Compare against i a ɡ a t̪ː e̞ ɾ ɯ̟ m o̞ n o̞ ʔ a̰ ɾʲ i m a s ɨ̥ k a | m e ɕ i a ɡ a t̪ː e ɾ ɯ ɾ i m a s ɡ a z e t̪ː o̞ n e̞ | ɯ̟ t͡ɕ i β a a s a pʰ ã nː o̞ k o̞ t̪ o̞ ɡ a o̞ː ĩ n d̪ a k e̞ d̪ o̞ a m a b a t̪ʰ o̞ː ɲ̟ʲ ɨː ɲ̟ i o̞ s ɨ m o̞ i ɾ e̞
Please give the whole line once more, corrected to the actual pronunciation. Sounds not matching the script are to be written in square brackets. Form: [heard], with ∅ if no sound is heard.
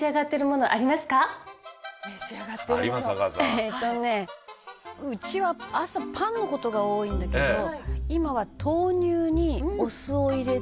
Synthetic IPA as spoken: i a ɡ a t̪ː e̞ ɾ ɯ̟ m o̞ n o̞ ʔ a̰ ɾʲ i m a s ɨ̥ k a | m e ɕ i a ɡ a t̪ː e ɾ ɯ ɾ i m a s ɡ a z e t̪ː o̞ n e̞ | ɯ̟ t͡ɕ i β a a s a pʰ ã nː o̞ k o̞ t̪ o̞ ɡ a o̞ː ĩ n d̪ a k e̞ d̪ o̞ [i] m a [β] a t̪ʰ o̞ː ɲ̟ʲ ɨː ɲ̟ i o̞ s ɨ [∅] o̞ i ɾ e̞